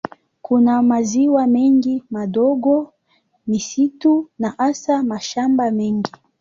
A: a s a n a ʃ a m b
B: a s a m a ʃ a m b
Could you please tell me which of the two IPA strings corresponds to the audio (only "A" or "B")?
B